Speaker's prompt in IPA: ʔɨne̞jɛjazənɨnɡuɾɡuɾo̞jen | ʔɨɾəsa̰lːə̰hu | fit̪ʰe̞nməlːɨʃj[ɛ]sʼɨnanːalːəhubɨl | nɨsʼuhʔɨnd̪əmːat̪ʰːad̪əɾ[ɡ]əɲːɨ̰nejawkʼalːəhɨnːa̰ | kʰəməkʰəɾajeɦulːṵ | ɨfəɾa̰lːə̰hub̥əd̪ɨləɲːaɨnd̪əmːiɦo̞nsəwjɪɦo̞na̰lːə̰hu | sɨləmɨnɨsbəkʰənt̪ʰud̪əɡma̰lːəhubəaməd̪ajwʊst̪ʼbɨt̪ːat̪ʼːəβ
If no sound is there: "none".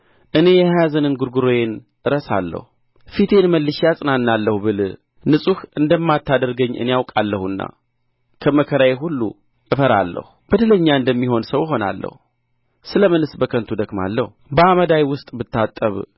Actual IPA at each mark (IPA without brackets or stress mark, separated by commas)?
a, ɡ